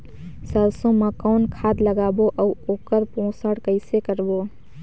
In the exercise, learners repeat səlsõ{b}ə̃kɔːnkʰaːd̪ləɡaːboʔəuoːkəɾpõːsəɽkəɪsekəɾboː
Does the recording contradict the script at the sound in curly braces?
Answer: yes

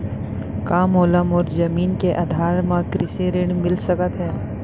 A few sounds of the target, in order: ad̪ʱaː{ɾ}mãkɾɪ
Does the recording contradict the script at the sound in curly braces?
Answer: no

